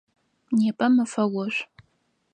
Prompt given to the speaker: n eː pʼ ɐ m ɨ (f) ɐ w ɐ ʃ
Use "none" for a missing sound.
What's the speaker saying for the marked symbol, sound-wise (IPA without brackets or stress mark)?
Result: f